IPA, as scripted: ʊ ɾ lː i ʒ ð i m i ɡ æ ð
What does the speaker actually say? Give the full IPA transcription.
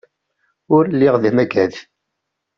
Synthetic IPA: ʊ ɾ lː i ʁ ð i m æ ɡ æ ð